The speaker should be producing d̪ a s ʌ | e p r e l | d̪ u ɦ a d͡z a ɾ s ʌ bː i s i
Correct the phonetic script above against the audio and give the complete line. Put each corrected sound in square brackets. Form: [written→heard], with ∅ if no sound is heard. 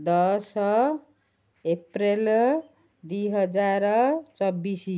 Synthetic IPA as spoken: d̪ [a→ʌ] s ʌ | e p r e l | d̪ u ɦ [a→ʌ] d͡z a ɾ [s→t͡s] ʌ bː i s i